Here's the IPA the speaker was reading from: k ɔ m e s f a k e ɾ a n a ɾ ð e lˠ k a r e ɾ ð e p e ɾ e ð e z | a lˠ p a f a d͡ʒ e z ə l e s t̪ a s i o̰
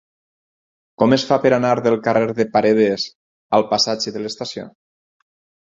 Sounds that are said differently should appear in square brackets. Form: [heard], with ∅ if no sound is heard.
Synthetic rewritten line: k ɔ m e s f a [p] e ɾ a n a ɾ ð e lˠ k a r e ɾ ð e p [a] ɾ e ð e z | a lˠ p a [s] a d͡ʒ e [ð] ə l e s t̪ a s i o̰